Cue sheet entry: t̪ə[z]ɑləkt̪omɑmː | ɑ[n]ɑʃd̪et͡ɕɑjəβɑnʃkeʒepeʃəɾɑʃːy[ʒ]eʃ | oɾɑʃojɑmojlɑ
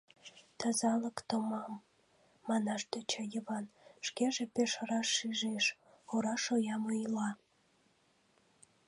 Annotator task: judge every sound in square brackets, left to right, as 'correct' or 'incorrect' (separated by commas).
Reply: correct, correct, correct